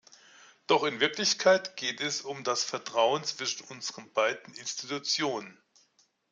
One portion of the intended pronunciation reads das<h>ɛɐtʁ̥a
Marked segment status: incorrect: f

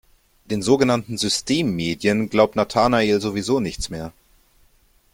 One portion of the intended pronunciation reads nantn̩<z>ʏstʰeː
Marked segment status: correct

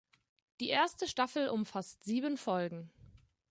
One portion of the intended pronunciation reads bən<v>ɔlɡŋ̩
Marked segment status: incorrect: f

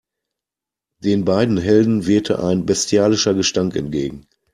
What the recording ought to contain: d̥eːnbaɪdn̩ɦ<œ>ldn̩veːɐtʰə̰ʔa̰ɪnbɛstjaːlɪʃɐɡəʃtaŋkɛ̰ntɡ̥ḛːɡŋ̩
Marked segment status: incorrect: ɛ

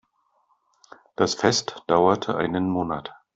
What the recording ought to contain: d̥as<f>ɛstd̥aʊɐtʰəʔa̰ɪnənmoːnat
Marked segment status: correct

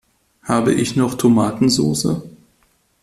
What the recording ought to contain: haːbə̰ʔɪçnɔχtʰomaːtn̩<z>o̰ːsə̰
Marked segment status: correct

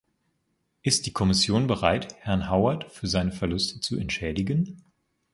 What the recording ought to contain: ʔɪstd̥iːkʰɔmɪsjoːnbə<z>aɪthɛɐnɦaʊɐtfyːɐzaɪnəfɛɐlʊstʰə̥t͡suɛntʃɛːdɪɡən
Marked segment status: incorrect: ʁ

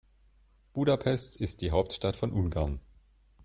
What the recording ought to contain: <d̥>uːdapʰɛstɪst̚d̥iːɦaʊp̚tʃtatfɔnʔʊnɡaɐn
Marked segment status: incorrect: b̥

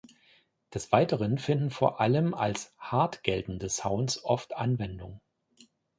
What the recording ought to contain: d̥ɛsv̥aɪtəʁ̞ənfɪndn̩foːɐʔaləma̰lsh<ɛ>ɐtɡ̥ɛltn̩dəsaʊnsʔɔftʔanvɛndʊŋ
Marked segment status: incorrect: a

